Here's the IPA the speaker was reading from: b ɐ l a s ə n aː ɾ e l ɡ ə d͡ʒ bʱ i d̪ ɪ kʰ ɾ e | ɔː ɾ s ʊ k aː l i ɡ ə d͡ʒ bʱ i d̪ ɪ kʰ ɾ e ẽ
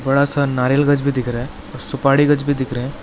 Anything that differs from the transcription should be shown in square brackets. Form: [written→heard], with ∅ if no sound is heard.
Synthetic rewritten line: b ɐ [l→ɽ] a s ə n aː ɾ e l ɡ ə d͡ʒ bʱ i d̪ ɪ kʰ ɾ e | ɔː ɾ s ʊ [k→p] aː [l→ɽ] i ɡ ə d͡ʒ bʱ i d̪ ɪ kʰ ɾ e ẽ